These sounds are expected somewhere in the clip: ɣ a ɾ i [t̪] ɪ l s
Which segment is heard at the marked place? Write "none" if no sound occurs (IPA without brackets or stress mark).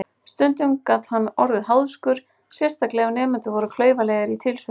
t̪ʰ